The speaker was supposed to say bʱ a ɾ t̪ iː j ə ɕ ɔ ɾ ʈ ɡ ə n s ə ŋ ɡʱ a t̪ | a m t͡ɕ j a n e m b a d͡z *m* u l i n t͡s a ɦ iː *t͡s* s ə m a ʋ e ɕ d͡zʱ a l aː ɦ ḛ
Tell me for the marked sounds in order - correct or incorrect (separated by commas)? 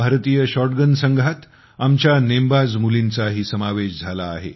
correct, incorrect